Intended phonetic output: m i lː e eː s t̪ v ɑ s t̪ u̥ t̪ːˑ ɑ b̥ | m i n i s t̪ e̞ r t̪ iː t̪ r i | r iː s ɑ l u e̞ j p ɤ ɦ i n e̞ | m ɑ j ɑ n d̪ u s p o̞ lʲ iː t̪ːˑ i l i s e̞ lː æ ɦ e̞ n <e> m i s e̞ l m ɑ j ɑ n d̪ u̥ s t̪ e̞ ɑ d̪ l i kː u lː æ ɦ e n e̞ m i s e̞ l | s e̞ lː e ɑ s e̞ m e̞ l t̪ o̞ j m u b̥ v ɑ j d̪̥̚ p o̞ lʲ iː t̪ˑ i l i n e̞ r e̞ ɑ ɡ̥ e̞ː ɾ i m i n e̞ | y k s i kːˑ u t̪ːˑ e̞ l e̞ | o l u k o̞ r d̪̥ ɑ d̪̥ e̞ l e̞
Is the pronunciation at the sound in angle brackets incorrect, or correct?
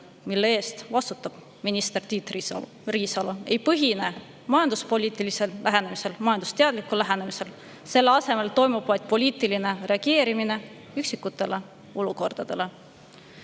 correct